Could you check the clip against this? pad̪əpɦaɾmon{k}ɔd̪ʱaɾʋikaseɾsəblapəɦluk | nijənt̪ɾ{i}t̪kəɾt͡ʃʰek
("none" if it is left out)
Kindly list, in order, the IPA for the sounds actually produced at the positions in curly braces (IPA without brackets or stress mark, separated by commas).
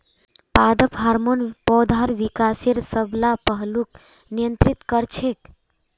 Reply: p, i